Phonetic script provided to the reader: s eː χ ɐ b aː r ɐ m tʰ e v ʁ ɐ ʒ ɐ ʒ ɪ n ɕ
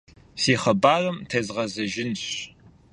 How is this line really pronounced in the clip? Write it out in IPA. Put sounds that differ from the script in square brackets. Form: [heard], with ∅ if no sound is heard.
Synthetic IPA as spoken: s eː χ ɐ b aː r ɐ m tʰ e [z] ʁ ɐ [z] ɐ ʒ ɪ n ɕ